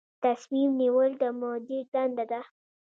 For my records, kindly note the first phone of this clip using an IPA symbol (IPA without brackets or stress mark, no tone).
t̪